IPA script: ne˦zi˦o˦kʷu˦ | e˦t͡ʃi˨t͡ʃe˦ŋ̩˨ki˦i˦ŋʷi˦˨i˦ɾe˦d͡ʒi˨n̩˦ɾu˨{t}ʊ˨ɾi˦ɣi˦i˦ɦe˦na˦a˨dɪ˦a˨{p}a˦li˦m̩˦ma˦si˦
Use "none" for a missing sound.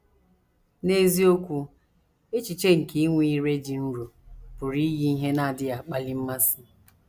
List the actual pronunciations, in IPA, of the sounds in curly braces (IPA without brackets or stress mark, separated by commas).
p, k͡p